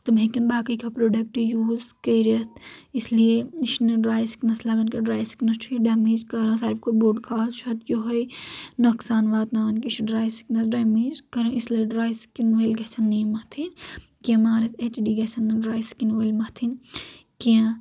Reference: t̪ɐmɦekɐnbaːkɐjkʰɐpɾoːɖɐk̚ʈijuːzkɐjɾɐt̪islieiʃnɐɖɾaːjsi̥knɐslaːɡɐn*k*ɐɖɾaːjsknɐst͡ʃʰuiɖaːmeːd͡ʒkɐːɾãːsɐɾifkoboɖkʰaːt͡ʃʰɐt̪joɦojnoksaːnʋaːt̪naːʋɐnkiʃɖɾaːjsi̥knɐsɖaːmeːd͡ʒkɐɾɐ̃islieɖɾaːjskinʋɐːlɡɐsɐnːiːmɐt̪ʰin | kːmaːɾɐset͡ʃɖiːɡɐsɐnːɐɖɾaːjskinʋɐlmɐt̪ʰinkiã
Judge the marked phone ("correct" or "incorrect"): correct